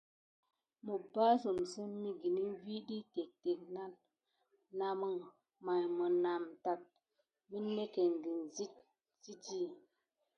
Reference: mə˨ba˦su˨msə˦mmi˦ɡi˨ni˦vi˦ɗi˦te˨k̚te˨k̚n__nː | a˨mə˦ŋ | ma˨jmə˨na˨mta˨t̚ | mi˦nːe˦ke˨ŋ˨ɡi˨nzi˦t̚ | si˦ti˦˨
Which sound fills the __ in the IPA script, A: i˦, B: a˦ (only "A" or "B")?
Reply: B